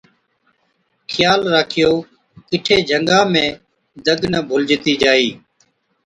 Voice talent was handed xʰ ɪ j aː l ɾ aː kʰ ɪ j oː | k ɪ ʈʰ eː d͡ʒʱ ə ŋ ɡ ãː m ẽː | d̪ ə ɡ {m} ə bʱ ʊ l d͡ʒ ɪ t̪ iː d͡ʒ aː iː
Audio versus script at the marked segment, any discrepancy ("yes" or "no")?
yes